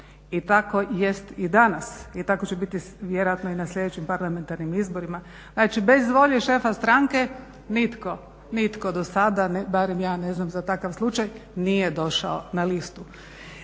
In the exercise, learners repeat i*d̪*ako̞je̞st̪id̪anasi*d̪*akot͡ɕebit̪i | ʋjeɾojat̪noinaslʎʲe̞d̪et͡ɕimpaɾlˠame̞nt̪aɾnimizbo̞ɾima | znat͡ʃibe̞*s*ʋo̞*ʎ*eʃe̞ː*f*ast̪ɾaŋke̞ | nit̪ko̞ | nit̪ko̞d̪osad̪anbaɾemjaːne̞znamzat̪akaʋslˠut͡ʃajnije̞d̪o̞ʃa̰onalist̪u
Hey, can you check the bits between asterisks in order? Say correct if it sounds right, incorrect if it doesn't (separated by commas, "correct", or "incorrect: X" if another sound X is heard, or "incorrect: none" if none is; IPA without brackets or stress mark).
incorrect: t̪, incorrect: t̪, incorrect: z, correct, correct